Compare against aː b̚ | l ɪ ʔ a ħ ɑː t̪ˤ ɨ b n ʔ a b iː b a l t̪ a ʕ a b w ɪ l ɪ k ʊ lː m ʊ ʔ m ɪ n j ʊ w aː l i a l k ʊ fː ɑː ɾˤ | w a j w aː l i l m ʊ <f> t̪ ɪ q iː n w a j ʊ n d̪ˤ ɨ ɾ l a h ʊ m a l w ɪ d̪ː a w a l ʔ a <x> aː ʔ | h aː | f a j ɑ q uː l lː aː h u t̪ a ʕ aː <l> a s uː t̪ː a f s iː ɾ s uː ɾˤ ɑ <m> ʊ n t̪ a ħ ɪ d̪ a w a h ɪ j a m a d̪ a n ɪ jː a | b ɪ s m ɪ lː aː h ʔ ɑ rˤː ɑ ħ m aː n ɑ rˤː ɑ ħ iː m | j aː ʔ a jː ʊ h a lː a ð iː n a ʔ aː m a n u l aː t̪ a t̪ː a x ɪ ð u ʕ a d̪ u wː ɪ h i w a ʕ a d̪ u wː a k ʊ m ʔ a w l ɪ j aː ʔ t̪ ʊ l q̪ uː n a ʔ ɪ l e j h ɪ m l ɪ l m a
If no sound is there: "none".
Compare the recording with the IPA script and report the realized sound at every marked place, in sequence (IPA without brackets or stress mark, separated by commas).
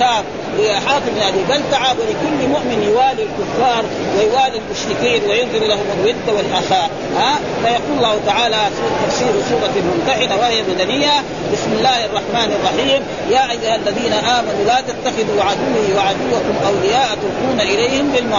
ʃ, x, l, m